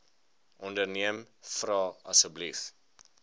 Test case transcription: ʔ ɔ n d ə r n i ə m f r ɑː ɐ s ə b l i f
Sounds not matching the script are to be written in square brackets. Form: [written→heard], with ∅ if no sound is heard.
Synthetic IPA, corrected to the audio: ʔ ɔ n d ə r n i ə m f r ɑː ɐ s ə b l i f